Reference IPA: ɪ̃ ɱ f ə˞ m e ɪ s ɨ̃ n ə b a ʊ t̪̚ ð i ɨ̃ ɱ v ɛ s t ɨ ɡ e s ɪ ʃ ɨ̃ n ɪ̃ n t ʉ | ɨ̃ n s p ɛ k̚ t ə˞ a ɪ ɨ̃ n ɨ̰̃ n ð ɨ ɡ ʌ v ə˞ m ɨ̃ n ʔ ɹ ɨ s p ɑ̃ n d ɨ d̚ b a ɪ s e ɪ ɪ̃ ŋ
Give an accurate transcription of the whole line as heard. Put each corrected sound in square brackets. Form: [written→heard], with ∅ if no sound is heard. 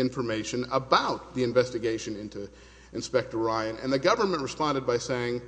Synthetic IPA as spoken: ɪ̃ ɱ f ə˞ m e ɪ [s→ʃ] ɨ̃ n ə b a ʊ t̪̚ ð i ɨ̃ ɱ v ɛ s t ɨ ɡ e [s→∅] ɪ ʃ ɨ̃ n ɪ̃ n t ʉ | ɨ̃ n s p ɛ k̚ t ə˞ a ɪ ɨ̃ n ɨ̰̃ n ð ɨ ɡ ʌ v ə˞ m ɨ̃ n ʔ ɹ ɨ s p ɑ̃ n d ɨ d̚ b a ɪ s e ɪ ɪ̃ ŋ

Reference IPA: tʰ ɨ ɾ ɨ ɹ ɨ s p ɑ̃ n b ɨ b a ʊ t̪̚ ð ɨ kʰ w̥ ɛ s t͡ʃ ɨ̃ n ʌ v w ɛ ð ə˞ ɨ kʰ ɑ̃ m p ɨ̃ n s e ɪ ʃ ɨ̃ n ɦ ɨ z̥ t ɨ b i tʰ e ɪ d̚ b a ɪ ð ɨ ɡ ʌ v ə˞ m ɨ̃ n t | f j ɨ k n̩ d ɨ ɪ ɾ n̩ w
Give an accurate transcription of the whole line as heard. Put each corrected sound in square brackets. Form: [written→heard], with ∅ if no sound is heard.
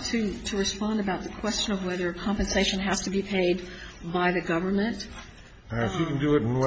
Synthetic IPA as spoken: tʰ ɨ ɾ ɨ ɹ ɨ s p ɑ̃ n [b→d] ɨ b a ʊ t̪̚ ð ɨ kʰ w̥ ɛ s t͡ʃ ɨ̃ n ʌ v w ɛ ð ə˞ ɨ kʰ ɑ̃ m p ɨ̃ n s e ɪ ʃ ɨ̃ n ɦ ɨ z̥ t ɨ b i [tʰ→pʰ] e ɪ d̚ b a ɪ ð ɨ ɡ ʌ v ə˞ m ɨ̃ n t | f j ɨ k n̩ d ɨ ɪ ɾ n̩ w

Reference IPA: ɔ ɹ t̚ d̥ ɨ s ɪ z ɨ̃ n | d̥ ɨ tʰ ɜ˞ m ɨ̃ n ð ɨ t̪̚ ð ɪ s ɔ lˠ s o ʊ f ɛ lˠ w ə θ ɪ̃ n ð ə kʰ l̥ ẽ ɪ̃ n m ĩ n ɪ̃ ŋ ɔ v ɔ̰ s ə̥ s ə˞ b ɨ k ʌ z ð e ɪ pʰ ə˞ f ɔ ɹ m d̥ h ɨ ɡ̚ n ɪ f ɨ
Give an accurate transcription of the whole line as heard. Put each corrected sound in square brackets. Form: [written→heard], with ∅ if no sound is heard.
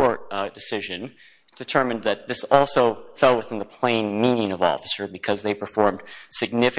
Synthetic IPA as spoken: ɔ ɹ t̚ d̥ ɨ s ɪ [z→ʒ] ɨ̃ n | d̥ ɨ tʰ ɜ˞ m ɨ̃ n ð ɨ t̪̚ ð ɪ s ɔ lˠ s o ʊ f ɛ lˠ w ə θ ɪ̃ n ð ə [kʰ→pʰ] l̥ ẽ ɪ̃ n m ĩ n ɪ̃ ŋ [ɔ→ʌ] v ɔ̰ [s→f] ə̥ s ə˞ b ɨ [k→kʰ] ʌ z ð e ɪ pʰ ə˞ f ɔ ɹ m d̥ [h→s] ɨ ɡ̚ n ɪ f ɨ

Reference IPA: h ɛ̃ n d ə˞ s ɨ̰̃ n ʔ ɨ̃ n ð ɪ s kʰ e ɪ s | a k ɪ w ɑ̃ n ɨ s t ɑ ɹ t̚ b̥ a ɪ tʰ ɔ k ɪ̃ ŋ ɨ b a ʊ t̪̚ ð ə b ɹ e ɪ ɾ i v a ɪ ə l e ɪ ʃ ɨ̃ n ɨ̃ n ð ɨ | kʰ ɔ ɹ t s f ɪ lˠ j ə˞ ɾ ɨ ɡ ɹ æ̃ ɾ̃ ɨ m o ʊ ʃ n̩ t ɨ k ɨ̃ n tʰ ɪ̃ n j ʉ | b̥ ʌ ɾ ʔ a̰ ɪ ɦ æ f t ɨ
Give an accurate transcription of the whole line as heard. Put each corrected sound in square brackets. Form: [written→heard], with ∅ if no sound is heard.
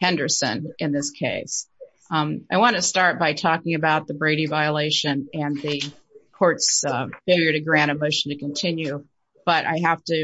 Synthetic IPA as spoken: h ɛ̃ n d ə˞ s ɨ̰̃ n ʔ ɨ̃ n ð ɪ s kʰ e ɪ s | a [k→∅] ɪ w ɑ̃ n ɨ s t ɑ ɹ t̚ b̥ a ɪ tʰ ɔ k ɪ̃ ŋ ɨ b a ʊ t̪̚ ð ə b ɹ e ɪ ɾ i v a ɪ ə l e ɪ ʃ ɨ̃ n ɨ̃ n ð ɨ | kʰ ɔ ɹ t s f ɪ lˠ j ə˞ ɾ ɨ ɡ ɹ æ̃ ɾ̃ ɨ m o ʊ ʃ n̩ t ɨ k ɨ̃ n tʰ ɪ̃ n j ʉ | b̥ ʌ ɾ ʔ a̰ ɪ ɦ æ f t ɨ

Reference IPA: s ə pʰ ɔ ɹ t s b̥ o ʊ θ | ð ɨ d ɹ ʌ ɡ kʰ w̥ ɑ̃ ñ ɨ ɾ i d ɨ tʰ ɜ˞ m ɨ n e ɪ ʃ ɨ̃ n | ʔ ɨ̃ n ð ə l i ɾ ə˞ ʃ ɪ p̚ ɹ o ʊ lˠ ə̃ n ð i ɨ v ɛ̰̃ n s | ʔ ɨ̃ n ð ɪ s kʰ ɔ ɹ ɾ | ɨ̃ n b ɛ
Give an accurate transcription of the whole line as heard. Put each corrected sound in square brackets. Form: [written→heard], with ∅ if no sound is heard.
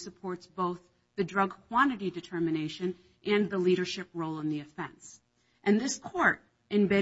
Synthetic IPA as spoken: s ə pʰ ɔ ɹ t s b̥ o ʊ θ | ð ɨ d ɹ ʌ ɡ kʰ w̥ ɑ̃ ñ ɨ ɾ i d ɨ tʰ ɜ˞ m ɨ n e ɪ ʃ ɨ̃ n | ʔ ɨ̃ n ð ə l i ɾ ə˞ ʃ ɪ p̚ ɹ o ʊ lˠ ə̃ n ð i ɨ [v→f] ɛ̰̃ n s | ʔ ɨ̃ n ð ɪ s kʰ ɔ ɹ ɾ | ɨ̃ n b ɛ

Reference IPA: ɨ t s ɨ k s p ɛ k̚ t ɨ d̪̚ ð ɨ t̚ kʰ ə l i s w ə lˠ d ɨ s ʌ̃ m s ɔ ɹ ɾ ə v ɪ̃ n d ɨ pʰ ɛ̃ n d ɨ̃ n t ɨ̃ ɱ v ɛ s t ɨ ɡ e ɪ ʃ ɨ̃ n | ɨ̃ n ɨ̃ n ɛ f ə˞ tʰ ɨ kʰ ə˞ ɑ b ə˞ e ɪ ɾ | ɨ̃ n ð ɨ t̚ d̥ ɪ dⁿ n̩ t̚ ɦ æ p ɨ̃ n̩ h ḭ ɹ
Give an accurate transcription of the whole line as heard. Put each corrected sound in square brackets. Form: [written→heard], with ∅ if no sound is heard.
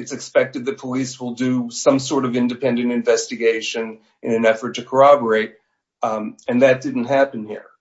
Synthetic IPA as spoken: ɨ t s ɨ k s p ɛ k̚ t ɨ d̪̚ ð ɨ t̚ [kʰ→pʰ] ə l i s w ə lˠ d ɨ s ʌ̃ m s ɔ ɹ ɾ [ə→ʌ] v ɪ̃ n d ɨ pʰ ɛ̃ n d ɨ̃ n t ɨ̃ ɱ v ɛ s t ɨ ɡ e ɪ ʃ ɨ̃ n | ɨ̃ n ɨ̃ n ɛ f ə˞ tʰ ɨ kʰ ə˞ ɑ b ə˞ e ɪ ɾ | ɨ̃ n ð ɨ t̚ d̥ ɪ dⁿ n̩ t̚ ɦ æ p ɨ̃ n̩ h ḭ ɹ

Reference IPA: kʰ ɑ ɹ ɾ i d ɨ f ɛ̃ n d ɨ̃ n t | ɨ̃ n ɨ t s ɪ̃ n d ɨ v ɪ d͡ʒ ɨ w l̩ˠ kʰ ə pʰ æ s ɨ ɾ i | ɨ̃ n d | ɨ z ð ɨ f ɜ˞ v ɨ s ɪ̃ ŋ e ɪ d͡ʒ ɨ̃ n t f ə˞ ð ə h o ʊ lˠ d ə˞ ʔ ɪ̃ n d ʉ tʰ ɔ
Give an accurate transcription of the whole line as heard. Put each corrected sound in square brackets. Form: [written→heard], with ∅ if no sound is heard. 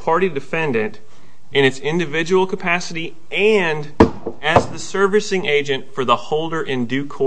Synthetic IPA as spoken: [kʰ→pʰ] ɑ ɹ ɾ i d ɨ f ɛ̃ n d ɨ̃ n t | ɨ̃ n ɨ t s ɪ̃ n d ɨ v ɪ d͡ʒ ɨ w l̩ˠ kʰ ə pʰ æ s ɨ ɾ i | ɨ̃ n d | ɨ z ð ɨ [f→s] ɜ˞ v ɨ s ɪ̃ ŋ e ɪ d͡ʒ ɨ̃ n t f ə˞ ð ə h o ʊ lˠ d ə˞ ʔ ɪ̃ n d ʉ [tʰ→kʰ] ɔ

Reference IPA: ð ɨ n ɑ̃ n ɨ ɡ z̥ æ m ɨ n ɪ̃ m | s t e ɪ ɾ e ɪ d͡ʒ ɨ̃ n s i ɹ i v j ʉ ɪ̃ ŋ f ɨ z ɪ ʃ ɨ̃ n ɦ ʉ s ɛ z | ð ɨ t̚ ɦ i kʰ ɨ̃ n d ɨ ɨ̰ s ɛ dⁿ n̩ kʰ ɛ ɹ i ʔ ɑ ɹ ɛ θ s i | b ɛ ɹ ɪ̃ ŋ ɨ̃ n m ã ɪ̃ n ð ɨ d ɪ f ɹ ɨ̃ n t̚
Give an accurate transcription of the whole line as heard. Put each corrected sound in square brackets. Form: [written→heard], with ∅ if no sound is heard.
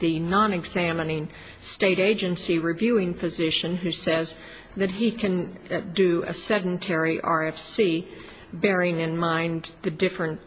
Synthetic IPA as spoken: ð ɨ n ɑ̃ n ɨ ɡ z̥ æ m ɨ n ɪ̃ [m→ŋ] | s t e ɪ ɾ e ɪ d͡ʒ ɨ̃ n s i ɹ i v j ʉ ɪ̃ ŋ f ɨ z ɪ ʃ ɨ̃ n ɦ ʉ s ɛ z | ð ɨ t̚ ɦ i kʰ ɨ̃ n d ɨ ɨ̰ s ɛ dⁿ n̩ [kʰ→tʰ] ɛ ɹ i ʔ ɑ ɹ ɛ [θ→f] s i | b ɛ ɹ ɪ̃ ŋ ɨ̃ n m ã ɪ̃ n ð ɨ d ɪ f ɹ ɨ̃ n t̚

